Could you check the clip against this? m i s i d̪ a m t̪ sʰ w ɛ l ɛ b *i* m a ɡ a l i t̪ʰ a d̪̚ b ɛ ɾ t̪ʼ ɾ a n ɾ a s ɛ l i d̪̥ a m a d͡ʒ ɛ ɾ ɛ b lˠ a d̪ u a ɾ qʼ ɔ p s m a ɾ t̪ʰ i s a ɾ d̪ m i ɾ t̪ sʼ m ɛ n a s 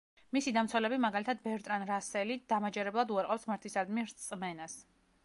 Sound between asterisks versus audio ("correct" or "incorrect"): correct